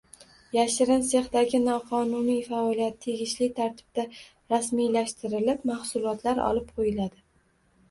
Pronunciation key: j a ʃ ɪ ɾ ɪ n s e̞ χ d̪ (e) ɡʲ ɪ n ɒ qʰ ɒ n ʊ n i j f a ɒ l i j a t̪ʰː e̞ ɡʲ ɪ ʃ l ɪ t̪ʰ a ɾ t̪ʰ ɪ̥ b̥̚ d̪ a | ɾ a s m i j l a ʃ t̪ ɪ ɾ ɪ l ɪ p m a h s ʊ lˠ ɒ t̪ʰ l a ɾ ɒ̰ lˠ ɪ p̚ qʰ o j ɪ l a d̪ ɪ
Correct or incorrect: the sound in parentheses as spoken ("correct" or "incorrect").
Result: incorrect